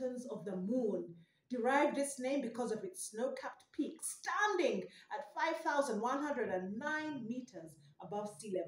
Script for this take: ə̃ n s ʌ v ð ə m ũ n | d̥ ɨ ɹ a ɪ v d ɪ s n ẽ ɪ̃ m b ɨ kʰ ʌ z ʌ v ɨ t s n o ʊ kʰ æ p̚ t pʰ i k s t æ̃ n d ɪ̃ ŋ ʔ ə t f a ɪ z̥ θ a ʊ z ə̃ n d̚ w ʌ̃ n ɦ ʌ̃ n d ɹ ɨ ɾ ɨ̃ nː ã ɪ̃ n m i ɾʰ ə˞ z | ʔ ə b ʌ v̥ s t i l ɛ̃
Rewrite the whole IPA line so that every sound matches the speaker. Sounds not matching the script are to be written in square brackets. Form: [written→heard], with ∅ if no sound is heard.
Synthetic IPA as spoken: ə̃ n [s→z] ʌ v ð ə m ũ n | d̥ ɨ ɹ a ɪ v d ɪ s n ẽ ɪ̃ m b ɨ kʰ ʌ z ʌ v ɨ t s n o ʊ kʰ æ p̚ t pʰ i k s t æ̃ n d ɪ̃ ŋ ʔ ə t f a ɪ [z̥→v̥] θ a ʊ z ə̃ n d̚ w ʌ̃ n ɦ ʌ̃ n d ɹ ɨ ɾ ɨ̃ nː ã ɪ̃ n m i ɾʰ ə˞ z | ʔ ə b ʌ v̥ s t i l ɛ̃